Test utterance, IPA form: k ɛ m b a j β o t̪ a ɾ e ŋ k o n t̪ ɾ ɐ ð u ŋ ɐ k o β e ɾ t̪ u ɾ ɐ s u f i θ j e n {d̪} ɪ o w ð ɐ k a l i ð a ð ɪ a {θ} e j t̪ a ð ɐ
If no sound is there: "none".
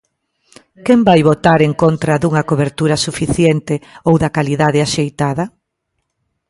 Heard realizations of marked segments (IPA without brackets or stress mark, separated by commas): t̪, ʃ